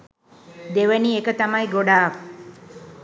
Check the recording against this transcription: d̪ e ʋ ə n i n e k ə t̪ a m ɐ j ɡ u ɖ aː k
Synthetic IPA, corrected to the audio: d̪ e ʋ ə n i e k ə t̪ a m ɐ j ɡ o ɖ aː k